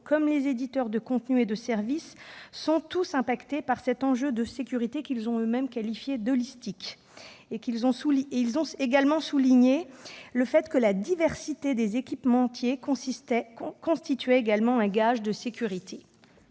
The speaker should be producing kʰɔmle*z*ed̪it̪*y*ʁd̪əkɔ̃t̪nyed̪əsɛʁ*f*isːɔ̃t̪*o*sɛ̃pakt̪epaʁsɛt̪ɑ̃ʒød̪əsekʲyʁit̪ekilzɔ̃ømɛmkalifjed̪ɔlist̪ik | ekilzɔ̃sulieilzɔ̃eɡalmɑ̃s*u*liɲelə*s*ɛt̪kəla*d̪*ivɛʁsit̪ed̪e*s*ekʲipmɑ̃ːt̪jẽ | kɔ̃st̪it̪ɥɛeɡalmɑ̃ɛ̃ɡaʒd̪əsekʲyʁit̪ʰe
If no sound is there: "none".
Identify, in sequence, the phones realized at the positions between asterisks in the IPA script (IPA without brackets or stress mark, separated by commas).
z, œ, v, u, u, f, d̪, z